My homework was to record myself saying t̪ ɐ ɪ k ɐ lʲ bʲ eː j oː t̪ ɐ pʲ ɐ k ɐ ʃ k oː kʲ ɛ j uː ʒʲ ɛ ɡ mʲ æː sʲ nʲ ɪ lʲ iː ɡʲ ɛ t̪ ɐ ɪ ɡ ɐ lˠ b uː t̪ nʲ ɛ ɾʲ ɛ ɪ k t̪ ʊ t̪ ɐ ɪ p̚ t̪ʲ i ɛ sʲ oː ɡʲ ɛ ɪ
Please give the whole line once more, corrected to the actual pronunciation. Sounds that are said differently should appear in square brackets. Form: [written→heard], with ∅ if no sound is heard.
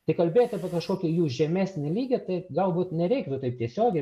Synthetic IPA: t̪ ɐ ɪ k ɐ lʲ bʲ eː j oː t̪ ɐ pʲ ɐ k ɐ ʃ k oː kʲ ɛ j uː ʒʲ ɛ [ɡ→∅] mʲ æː sʲ nʲ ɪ lʲ iː ɡʲ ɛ t̪ ɐ ɪ ɡ ɐ lˠ b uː t̪ nʲ ɛ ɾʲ ɛ ɪ k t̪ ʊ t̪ ɐ ɪ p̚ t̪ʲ i ɛ sʲ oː ɡʲ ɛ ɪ